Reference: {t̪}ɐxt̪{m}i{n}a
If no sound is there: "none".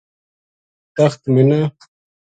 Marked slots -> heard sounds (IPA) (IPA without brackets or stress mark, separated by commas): t̪, m, n